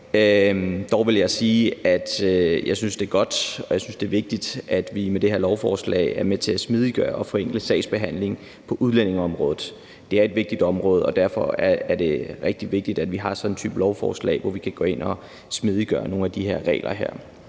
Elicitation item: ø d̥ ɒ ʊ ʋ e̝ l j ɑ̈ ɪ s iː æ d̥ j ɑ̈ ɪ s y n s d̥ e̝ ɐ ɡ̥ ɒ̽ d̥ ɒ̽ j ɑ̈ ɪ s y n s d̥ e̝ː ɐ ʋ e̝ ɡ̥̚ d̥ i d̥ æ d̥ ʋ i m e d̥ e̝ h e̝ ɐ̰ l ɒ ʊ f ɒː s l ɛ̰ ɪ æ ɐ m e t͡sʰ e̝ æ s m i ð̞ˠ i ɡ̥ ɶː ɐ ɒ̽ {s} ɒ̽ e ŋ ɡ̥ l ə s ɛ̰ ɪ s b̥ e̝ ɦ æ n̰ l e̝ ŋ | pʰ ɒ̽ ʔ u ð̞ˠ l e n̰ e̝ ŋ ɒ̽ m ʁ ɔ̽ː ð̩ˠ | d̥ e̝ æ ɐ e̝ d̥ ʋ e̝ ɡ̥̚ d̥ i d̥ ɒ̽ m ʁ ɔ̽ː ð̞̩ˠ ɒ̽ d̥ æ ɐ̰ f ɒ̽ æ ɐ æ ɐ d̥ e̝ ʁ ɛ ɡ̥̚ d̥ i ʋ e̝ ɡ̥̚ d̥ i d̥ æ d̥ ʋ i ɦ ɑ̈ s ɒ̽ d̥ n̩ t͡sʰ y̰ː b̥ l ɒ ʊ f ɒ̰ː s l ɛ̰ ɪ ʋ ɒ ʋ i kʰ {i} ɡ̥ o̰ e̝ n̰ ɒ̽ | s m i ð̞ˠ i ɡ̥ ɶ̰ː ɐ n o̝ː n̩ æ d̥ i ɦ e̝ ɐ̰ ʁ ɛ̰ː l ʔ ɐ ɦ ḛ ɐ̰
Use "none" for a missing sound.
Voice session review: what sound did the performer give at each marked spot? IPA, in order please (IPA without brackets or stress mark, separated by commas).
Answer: f, æ